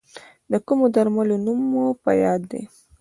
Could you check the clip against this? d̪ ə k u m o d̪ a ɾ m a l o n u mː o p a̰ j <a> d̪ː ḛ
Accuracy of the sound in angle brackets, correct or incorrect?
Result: incorrect